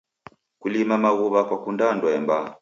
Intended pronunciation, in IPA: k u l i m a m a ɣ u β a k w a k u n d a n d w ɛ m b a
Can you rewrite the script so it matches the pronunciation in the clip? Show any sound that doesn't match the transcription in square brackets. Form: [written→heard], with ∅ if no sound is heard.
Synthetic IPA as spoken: k u l i m a m a ɣ u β a k w a k u n d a n d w ɛ m b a